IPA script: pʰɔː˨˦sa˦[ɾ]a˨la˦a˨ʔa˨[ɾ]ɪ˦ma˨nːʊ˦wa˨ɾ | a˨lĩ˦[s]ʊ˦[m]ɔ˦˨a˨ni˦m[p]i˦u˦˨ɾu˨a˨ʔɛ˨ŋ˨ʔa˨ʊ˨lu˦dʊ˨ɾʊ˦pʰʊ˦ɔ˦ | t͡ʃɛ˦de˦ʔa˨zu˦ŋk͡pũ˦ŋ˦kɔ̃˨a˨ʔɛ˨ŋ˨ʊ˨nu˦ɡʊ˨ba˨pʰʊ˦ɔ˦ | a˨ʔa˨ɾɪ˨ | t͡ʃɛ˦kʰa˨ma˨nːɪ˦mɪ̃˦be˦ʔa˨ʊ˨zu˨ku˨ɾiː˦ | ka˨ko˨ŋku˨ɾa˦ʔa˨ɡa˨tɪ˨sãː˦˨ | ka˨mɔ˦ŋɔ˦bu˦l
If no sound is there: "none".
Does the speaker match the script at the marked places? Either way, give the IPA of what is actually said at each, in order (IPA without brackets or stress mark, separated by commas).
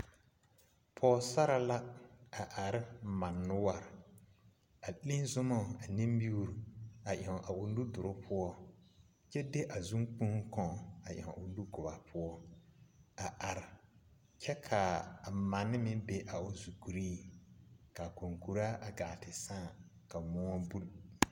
ɾ, ɾ, z, m, b